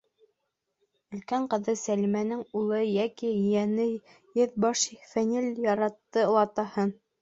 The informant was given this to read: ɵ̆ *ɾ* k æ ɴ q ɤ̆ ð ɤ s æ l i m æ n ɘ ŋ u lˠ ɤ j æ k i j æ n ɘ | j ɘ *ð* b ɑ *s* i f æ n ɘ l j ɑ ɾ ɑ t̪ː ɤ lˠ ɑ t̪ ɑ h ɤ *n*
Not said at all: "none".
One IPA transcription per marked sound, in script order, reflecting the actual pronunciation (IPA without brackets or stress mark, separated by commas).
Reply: l, ð, ʃ, n